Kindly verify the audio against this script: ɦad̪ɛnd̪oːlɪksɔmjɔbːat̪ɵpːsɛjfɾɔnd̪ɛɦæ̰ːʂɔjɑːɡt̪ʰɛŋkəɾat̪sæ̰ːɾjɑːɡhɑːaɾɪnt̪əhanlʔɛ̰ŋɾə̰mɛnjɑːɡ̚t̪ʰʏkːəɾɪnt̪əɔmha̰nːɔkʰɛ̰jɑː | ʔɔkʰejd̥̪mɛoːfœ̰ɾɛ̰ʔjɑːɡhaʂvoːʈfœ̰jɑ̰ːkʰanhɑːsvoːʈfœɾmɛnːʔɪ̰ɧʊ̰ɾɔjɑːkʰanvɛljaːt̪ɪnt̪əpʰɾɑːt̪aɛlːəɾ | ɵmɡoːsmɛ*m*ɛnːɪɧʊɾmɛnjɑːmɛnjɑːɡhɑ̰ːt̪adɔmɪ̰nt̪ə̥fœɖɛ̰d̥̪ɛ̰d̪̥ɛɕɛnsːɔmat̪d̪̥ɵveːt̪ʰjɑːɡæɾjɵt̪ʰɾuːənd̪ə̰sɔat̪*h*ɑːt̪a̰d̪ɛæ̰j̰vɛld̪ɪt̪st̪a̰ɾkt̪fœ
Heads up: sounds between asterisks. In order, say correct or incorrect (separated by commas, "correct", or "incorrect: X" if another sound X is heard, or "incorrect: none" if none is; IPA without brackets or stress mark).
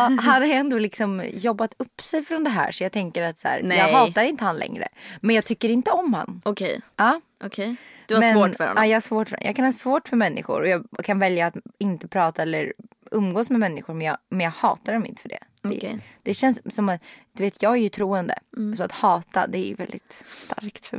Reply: correct, correct